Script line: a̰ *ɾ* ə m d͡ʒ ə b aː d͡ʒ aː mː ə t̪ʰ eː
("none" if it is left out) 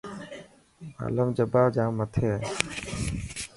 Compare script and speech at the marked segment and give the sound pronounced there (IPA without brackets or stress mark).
l